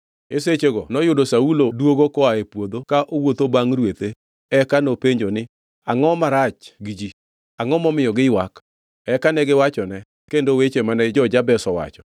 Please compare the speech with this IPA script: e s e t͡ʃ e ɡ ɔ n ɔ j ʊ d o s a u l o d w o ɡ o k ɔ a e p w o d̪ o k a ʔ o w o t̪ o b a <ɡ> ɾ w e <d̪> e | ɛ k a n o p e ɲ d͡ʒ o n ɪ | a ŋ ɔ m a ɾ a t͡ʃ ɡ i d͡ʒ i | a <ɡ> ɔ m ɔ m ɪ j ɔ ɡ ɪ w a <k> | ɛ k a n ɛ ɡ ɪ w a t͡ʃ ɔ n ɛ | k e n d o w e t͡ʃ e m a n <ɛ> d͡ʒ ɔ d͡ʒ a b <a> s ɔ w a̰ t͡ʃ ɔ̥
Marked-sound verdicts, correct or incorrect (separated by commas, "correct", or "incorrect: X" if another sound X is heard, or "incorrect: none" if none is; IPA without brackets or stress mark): incorrect: ŋ, incorrect: t̪, incorrect: ŋ, correct, correct, incorrect: ɛ